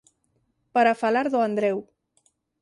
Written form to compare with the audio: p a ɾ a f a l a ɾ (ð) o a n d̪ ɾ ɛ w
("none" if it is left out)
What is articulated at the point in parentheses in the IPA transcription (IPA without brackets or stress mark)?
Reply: ð